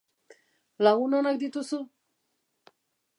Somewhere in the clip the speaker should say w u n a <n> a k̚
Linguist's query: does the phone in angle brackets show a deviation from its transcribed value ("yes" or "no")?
no